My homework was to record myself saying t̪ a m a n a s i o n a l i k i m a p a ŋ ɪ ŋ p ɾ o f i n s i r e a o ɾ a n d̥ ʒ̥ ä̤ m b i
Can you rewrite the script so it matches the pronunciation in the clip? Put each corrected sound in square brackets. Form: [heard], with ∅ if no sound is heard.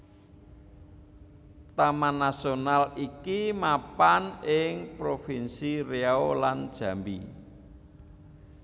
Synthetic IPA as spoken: t̪ a m a n a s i o n a l i k i m a p a [n] ɪ ŋ p ɾ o f i n s i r e a o [l] a n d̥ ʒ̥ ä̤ m b i